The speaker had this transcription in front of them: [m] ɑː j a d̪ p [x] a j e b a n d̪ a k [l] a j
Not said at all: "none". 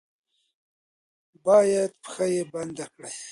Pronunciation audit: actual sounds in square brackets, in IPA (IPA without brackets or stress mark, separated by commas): b, x, ɽ